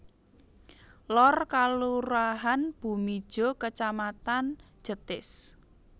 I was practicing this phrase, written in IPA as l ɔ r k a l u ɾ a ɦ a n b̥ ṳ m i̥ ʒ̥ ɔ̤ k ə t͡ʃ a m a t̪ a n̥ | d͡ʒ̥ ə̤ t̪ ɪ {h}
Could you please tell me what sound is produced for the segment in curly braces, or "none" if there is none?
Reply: s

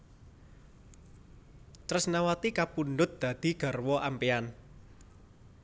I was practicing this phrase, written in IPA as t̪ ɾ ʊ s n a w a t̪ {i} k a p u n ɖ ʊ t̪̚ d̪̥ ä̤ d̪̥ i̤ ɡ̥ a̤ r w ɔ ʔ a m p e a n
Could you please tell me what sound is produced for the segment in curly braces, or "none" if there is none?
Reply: i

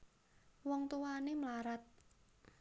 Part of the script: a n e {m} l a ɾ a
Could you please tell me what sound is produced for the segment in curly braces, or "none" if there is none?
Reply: m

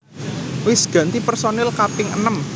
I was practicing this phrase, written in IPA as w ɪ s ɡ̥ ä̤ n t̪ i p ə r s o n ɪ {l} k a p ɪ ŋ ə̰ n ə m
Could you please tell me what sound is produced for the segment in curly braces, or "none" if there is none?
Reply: l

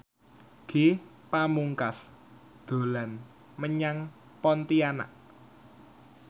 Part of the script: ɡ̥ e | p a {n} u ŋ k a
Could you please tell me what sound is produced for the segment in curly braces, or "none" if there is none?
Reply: m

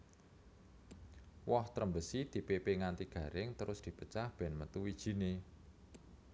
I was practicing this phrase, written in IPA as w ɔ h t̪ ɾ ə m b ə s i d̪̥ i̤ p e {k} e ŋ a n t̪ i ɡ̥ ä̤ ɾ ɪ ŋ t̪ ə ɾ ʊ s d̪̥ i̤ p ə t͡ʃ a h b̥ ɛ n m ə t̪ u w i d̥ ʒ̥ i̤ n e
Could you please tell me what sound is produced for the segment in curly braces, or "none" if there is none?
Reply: p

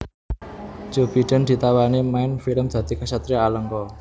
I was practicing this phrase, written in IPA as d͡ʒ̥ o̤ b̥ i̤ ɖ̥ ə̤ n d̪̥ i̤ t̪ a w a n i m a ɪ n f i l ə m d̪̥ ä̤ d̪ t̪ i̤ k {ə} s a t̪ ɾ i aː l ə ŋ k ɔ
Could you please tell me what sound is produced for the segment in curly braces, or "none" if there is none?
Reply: a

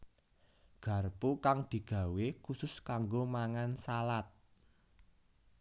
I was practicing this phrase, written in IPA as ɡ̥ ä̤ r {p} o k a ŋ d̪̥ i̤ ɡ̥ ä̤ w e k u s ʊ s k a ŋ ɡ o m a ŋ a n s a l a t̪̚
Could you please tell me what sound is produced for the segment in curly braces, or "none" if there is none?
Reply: p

